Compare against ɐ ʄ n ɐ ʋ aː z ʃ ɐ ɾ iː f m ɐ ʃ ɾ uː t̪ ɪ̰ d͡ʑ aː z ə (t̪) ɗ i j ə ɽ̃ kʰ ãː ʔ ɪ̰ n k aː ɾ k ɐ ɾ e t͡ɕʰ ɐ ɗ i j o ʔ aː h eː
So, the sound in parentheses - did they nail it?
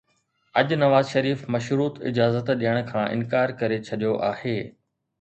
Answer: yes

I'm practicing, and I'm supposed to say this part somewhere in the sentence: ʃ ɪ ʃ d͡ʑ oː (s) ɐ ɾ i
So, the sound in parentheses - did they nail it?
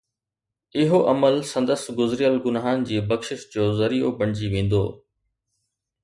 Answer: no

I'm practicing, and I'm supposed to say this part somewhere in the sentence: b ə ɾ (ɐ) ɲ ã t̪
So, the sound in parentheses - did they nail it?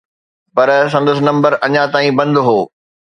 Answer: yes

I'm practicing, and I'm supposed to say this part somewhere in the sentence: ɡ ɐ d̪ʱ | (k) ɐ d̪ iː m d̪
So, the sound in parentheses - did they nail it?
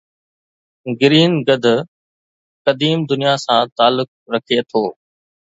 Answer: yes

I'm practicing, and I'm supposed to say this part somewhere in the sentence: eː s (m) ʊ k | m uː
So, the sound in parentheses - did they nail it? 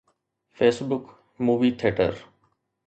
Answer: no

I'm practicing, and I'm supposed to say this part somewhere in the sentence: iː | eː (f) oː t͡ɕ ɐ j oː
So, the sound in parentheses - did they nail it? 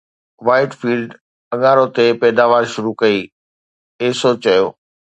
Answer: no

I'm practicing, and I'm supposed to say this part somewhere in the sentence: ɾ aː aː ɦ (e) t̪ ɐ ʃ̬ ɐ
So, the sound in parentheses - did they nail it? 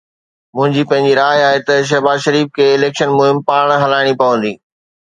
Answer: yes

